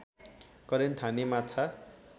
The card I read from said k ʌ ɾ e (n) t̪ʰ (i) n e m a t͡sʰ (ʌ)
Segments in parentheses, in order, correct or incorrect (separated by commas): correct, incorrect, incorrect